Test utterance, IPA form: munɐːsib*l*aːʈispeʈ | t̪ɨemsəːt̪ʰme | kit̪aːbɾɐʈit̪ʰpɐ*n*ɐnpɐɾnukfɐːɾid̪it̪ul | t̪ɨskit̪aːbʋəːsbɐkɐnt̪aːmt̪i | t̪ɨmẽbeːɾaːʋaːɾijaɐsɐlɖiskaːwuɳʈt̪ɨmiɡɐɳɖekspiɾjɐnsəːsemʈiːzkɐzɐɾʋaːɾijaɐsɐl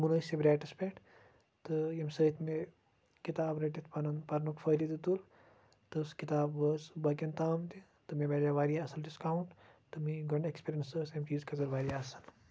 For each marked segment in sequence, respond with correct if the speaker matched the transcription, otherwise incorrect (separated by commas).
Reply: incorrect, correct